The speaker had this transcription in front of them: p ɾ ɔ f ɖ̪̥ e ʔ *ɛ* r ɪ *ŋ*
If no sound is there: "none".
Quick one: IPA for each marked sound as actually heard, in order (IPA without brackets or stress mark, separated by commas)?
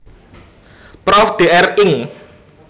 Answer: ɛ, ŋ